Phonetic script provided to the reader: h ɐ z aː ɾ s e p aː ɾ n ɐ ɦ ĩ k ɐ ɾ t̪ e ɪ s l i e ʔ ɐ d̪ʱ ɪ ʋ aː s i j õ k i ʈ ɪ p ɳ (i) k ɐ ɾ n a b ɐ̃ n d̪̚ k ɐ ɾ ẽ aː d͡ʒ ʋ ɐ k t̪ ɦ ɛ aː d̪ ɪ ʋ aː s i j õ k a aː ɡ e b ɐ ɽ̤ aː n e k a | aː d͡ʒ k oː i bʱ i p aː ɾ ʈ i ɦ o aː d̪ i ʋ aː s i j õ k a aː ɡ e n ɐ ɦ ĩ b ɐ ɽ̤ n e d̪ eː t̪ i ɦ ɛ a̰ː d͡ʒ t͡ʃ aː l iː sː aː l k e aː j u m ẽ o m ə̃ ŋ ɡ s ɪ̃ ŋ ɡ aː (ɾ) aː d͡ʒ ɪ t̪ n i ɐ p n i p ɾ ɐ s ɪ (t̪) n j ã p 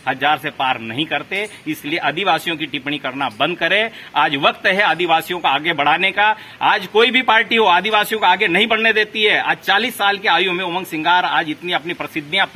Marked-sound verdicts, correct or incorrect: correct, correct, incorrect: d̪

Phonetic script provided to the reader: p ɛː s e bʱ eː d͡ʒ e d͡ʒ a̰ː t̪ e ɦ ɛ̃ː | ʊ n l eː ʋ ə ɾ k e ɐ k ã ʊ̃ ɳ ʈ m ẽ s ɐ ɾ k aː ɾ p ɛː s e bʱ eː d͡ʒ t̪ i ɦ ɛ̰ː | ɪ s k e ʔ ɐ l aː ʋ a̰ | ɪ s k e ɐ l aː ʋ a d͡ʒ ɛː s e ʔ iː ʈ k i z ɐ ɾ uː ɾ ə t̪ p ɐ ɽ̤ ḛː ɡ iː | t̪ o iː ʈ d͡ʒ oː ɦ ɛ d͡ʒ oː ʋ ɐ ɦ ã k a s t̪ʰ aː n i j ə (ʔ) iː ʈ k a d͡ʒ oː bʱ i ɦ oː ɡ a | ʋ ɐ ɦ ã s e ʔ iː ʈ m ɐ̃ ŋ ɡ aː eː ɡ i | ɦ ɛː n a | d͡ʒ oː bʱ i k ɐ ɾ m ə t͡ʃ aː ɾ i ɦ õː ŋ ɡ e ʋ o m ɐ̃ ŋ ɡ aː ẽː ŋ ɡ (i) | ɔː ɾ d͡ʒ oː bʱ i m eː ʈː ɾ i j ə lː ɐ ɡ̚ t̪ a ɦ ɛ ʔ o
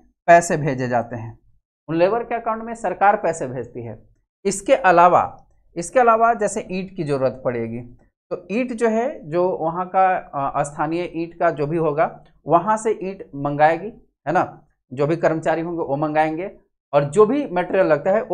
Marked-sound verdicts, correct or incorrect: correct, incorrect: e

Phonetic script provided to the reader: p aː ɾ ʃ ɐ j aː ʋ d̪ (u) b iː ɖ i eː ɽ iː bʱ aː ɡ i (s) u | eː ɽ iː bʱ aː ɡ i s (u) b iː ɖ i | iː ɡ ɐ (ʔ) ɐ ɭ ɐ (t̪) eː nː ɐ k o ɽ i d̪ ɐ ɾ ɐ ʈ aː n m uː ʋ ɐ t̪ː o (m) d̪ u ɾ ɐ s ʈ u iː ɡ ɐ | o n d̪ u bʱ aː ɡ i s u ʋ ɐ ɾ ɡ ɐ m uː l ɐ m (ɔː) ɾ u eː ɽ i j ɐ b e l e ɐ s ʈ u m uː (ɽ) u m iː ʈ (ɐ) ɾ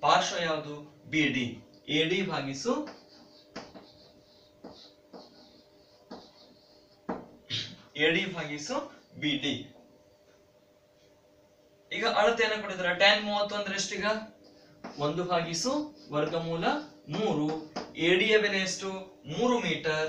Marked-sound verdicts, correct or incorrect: correct, correct, correct, correct, correct, incorrect: n, incorrect: uː, incorrect: ɾ, correct

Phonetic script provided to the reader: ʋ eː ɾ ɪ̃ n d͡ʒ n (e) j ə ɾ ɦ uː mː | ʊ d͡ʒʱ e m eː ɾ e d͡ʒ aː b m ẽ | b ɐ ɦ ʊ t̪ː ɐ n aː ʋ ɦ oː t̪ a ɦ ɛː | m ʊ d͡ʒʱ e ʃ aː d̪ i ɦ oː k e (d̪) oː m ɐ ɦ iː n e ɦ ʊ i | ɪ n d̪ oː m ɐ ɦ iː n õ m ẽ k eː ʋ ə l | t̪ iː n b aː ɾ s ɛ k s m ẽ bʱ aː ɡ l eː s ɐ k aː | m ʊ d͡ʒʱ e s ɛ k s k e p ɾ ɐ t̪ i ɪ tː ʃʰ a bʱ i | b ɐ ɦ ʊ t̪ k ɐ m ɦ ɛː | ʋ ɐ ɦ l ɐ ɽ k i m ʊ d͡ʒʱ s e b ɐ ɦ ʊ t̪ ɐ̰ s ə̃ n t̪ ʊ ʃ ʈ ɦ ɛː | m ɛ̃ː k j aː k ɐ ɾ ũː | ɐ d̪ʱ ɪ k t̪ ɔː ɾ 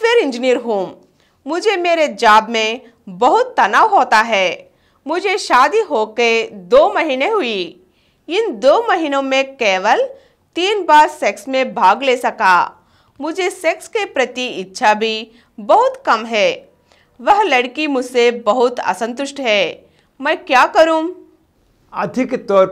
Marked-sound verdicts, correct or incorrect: incorrect: i, correct

